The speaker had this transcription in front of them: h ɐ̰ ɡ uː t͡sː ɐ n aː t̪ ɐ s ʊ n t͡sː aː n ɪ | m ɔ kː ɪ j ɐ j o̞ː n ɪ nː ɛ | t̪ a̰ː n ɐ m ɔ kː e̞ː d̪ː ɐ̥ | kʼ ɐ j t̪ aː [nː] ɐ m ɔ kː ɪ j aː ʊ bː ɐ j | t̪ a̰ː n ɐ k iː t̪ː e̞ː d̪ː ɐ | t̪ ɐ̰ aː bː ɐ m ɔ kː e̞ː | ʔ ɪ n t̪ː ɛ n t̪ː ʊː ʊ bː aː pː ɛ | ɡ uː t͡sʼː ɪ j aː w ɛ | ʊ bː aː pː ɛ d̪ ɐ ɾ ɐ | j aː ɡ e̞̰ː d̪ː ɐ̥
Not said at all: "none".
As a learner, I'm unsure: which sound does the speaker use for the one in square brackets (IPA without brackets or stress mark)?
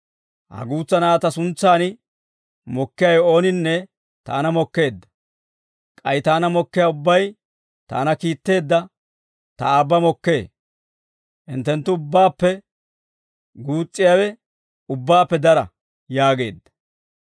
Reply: n